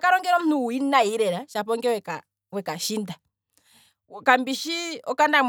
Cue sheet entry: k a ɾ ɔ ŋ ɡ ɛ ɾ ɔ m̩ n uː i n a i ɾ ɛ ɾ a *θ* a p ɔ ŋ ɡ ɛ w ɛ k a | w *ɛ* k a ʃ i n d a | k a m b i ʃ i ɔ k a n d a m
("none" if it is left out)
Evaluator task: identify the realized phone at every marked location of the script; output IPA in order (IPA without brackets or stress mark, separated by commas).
ʃ, ɛ